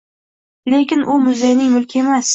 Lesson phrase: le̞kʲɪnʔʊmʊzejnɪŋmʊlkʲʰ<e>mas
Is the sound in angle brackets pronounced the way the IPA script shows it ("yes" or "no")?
yes